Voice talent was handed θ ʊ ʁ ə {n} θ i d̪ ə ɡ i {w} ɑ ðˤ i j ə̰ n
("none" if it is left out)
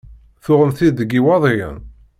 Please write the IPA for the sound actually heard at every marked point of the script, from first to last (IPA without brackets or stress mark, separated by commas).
m, w